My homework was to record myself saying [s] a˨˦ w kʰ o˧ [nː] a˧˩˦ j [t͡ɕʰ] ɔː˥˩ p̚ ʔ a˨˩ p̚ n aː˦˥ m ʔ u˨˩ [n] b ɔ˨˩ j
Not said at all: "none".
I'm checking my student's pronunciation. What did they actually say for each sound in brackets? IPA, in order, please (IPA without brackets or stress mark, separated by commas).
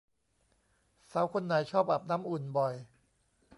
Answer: s, nː, t͡ɕʰ, n